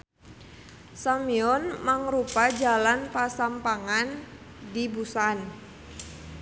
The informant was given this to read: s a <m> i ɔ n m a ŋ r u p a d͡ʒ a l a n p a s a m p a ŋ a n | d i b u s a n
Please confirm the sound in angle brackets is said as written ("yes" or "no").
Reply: yes